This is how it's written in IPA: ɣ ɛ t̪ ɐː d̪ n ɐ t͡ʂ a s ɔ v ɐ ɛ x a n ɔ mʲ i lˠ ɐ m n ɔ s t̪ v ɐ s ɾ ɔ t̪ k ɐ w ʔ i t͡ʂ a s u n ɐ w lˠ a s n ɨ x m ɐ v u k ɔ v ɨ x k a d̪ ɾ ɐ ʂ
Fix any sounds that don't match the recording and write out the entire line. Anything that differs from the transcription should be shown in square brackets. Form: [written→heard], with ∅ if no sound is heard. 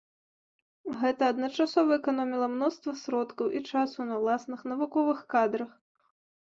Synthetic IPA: ɣ ɛ t̪ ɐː d̪ n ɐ t͡ʂ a s ɔ v ɐ ɛ [x→k] a n ɔ mʲ i lˠ ɐ m n ɔ s t̪ v ɐ s ɾ ɔ t̪ k ɐ w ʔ i t͡ʂ a s u n ɐ w lˠ a s n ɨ x [m→n] ɐ v u k ɔ v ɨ x k a d̪ ɾ ɐ [ʂ→x]

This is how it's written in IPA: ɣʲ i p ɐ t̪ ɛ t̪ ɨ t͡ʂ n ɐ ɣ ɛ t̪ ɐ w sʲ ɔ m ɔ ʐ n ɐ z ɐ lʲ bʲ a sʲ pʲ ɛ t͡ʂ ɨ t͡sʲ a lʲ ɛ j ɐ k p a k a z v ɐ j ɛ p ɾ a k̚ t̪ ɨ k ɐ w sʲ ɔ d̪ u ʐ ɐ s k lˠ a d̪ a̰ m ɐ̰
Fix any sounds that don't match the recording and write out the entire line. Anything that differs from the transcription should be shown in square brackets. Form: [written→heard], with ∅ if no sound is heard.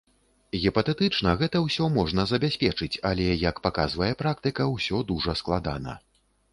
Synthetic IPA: ɣʲ i p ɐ t̪ ɛ t̪ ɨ t͡ʂ n ɐ ɣ ɛ t̪ ɐ w sʲ ɔ m ɔ ʐ n ɐ z ɐ [lʲ→∅] bʲ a sʲ pʲ ɛ t͡ʂ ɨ t͡sʲ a lʲ ɛ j ɐ k p a k a z v ɐ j ɛ p ɾ a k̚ t̪ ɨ k ɐ w sʲ ɔ d̪ u ʐ ɐ s k lˠ a d̪ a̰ [m→n] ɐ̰

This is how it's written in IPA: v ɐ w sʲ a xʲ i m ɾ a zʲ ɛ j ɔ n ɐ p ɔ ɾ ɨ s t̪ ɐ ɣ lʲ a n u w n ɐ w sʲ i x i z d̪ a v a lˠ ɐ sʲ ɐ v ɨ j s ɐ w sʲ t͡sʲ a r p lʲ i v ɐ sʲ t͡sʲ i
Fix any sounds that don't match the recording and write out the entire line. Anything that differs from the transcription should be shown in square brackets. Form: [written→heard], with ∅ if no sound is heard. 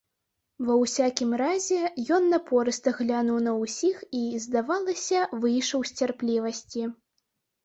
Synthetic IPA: v ɐ w sʲ a [xʲ→kʲ] i m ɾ a zʲ ɛ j ɔ [n→nː] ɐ p ɔ ɾ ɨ s t̪ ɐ ɣ lʲ a n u w n ɐ w sʲ i x i z d̪ a v a lˠ ɐ sʲ ɐ v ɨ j [s→ʂ] ɐ w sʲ t͡sʲ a r p lʲ i v ɐ sʲ t͡sʲ i

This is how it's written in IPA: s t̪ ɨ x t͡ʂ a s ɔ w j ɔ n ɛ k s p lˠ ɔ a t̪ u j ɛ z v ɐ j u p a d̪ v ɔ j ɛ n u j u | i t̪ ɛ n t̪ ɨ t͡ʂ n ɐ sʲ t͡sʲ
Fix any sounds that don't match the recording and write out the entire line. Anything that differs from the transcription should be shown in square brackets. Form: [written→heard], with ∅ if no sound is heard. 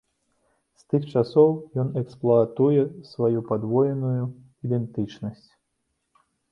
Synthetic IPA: s t̪ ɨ x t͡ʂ a s ɔ w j ɔ n ɛ k s p lˠ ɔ a t̪ u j ɛ [z→s] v [ɐ→a] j u p a d̪ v ɔ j ɛ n u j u | i [t̪→d̪] ɛ n t̪ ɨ t͡ʂ n ɐ sʲ t͡sʲ

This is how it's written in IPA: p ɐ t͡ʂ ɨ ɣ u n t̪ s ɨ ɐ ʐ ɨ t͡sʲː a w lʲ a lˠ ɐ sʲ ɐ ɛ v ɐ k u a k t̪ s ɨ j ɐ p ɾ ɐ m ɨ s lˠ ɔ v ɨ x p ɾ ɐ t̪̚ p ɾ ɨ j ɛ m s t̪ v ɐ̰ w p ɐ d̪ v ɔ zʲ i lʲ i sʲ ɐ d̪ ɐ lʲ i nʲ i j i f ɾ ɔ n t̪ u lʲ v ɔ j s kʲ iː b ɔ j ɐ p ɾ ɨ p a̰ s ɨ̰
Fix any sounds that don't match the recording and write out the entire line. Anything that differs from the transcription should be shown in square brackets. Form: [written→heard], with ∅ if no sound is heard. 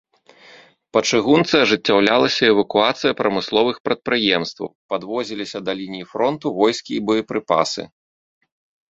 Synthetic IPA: p ɐ t͡ʂ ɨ ɣ u n t̪ s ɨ ɐ ʐ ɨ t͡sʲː a w lʲ a lˠ ɐ sʲ ɐ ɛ v ɐ k u a [k→∅] t̪ s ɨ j ɐ p ɾ ɐ m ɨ s lˠ ɔ v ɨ x p ɾ ɐ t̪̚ p ɾ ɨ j ɛ m s t̪ v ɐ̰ w p [ɐ→a] d̪ v ɔ zʲ i lʲ i sʲ ɐ d̪ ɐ lʲ i nʲ i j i f ɾ ɔ n t̪ u [lʲ→∅] v ɔ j s kʲ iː b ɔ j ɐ p ɾ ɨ p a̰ s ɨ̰

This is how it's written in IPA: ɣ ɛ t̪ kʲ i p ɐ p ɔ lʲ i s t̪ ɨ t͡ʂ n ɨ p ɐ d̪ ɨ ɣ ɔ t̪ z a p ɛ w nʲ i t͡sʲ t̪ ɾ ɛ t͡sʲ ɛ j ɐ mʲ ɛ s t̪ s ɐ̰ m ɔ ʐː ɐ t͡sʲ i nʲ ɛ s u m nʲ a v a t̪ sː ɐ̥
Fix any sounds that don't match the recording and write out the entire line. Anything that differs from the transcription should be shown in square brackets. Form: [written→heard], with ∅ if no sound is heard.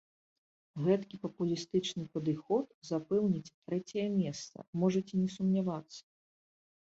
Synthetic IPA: ɣ ɛ t̪ kʲ i p ɐ p [ɔ→u] lʲ i s t̪ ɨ t͡ʂ n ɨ p ɐ d̪ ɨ [ɣ→x] ɔ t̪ z a p ɛ w nʲ i t͡sʲ t̪ ɾ ɛ t͡sʲ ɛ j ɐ mʲ ɛ s t̪ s ɐ̰ m ɔ [ʐː→ʐ] ɐ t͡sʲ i nʲ ɛ s u m nʲ a v a t̪ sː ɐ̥

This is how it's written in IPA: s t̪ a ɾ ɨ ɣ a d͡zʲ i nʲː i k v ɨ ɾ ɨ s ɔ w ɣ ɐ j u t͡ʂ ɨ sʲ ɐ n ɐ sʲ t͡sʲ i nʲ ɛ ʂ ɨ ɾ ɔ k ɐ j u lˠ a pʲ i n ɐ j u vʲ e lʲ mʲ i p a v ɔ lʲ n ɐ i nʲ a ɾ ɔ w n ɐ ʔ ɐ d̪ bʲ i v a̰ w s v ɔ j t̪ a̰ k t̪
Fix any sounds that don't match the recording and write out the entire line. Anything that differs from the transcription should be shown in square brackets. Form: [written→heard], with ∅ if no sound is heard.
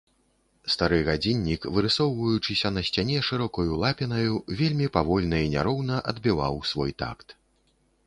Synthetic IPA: s t̪ a ɾ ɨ ɣ a d͡zʲ i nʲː i k v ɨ ɾ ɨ s ɔ w [ɣ→v] ɐ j u t͡ʂ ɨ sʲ ɐ n ɐ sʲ t͡sʲ [i→a] nʲ ɛ ʂ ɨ ɾ ɔ k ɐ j u lˠ a pʲ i n ɐ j u vʲ e lʲ mʲ i p a v ɔ lʲ n ɐ i nʲ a ɾ ɔ w n ɐ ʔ ɐ d̪ bʲ i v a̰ w s v ɔ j t̪ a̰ k t̪

